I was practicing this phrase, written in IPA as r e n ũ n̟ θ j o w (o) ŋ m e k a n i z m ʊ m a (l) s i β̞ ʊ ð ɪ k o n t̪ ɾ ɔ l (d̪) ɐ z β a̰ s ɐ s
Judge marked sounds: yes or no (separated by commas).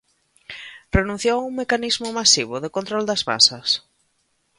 no, no, yes